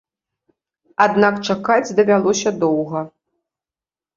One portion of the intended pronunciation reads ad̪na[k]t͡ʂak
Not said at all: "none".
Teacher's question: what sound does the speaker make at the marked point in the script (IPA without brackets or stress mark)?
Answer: k